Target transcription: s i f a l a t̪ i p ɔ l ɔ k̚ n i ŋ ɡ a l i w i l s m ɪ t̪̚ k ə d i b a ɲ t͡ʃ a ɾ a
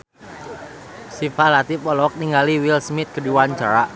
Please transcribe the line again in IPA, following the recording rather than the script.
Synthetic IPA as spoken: s i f a l a t̪ i p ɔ l ɔ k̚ n i ŋ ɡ a l i w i l s m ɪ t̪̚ k ə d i w a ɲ t͡ʃ a ɾ a